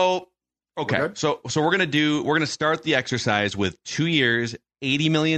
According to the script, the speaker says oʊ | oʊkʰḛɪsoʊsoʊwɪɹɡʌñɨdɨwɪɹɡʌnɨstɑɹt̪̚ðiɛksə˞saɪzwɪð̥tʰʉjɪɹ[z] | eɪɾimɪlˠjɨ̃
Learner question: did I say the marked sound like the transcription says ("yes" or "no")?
yes